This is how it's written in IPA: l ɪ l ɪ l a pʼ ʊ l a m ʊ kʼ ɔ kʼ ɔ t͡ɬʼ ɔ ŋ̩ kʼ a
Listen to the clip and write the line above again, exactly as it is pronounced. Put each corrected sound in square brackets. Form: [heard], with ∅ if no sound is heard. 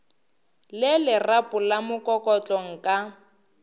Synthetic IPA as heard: l ɪ l ɪ [r] a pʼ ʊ l a m ʊ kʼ ɔ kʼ ɔ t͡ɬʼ ɔ ŋ̩ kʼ a